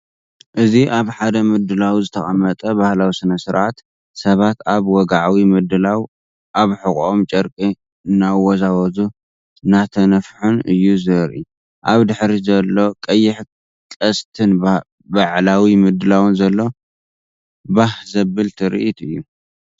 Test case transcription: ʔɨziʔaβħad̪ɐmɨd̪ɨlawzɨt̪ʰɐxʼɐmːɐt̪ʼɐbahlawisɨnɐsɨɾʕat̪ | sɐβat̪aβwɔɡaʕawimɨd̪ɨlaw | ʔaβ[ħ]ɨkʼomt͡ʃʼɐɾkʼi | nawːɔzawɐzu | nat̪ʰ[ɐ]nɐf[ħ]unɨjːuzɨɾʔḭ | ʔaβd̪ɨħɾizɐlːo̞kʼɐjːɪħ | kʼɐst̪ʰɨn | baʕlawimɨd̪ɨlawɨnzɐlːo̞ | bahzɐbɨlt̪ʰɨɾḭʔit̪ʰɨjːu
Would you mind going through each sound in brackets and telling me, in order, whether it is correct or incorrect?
correct, correct, correct

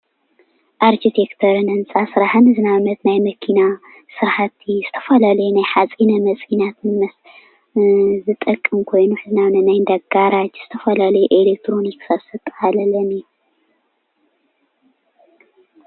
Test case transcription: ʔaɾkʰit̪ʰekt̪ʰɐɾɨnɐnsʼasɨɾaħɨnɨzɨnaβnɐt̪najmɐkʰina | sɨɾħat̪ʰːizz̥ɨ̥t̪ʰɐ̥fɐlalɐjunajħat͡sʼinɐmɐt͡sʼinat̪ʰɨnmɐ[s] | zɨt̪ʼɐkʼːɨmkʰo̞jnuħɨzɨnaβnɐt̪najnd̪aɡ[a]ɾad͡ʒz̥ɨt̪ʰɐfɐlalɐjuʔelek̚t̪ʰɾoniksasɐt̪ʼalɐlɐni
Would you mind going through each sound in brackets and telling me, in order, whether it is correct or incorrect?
correct, correct

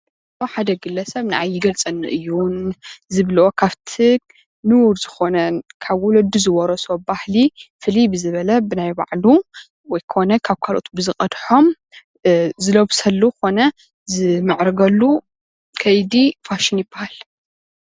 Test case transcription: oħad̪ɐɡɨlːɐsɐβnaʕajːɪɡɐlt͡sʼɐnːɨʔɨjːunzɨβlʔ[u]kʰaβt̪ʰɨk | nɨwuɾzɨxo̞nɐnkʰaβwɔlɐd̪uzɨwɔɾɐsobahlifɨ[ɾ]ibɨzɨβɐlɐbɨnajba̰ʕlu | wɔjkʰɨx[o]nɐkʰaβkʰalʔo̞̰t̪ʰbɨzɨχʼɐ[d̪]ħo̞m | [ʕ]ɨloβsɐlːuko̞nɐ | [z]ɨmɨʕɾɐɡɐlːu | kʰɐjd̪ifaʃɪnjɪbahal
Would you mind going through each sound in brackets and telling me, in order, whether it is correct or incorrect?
incorrect: o, incorrect: l, correct, correct, incorrect: z, correct

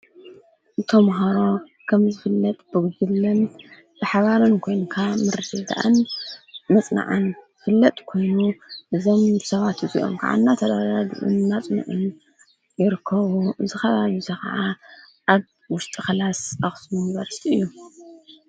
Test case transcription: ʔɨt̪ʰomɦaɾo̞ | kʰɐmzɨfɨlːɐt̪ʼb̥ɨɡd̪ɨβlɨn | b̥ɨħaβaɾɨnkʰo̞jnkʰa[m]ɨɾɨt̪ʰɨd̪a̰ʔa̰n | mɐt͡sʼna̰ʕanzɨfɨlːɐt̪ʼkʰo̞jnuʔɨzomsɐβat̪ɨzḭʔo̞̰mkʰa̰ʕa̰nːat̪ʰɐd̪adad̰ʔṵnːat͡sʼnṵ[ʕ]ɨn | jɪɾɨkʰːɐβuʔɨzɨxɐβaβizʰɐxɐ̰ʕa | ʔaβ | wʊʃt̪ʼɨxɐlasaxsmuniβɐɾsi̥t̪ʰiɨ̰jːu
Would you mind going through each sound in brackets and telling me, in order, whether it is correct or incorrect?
correct, correct

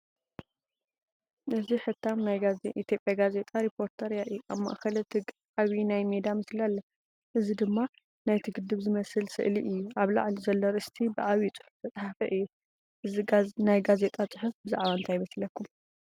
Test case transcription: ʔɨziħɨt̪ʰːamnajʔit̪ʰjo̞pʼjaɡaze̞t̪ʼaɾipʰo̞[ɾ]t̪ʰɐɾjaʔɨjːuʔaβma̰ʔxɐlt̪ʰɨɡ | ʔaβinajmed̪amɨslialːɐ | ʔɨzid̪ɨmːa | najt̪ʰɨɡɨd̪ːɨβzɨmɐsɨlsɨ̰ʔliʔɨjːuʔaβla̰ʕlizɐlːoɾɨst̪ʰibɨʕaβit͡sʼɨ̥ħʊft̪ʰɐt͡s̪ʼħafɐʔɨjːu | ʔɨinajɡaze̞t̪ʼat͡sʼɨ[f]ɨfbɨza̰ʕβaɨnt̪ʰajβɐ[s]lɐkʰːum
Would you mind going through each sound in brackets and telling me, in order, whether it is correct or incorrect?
correct, incorrect: ħ, correct

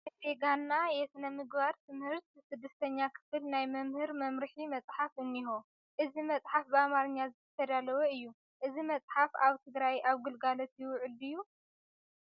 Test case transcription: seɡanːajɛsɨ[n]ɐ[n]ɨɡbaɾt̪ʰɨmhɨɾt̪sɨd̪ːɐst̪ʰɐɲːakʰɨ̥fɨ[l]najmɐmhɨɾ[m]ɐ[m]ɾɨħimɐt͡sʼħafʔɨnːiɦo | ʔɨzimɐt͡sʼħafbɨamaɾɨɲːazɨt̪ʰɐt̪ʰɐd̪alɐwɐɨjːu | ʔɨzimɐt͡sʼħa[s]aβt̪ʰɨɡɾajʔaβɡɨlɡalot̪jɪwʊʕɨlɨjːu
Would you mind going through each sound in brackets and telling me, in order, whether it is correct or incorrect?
correct, incorrect: m, correct, correct, correct, incorrect: f

